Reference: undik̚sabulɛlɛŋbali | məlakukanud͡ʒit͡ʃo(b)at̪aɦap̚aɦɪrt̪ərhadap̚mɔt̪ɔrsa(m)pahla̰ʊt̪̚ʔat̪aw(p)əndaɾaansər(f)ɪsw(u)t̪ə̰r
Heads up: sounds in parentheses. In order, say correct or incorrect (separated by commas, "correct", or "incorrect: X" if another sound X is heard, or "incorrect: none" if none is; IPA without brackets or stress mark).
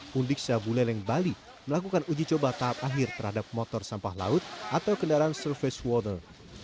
correct, correct, incorrect: k, correct, incorrect: ɔ